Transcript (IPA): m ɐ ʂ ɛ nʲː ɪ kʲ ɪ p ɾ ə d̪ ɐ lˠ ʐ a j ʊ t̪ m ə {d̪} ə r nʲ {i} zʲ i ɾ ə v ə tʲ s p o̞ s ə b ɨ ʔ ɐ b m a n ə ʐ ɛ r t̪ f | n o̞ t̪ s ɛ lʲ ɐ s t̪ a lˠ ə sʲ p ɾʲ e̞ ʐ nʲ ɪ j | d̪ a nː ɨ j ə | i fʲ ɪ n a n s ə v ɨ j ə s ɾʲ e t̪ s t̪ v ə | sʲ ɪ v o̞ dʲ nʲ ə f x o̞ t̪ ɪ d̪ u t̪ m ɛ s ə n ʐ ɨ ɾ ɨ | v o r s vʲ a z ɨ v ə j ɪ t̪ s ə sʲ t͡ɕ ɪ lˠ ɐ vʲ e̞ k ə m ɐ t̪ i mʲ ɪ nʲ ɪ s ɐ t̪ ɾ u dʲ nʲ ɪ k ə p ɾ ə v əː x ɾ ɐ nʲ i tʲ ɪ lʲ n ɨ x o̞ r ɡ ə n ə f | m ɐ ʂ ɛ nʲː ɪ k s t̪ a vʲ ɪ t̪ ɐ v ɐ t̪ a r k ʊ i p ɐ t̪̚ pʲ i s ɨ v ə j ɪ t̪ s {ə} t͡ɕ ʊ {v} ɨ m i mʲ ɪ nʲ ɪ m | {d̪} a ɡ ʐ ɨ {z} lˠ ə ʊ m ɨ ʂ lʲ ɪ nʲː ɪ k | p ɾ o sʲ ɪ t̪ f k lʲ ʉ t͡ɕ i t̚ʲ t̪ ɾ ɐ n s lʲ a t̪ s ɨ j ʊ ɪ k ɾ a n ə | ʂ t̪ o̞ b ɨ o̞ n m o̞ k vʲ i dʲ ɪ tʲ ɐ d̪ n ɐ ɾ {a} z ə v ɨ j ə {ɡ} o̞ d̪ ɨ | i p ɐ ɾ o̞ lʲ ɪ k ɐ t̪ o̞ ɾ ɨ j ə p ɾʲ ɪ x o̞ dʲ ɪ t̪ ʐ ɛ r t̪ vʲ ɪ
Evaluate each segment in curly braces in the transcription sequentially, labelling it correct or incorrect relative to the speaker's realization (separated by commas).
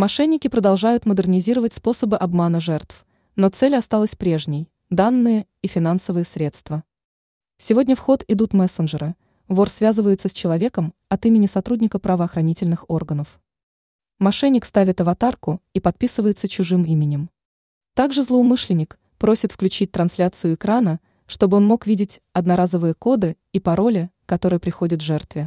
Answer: correct, incorrect, correct, incorrect, incorrect, correct, correct, incorrect